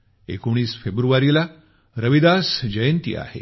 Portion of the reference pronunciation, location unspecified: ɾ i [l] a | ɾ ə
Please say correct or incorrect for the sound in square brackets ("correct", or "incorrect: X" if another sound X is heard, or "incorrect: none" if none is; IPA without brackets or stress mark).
correct